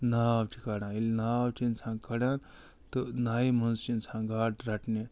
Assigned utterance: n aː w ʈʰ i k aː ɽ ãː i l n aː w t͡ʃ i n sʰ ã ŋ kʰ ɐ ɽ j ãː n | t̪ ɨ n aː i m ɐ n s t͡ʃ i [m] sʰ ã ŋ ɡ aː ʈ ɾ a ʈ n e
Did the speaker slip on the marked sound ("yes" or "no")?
yes